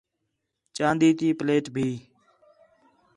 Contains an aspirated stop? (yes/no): no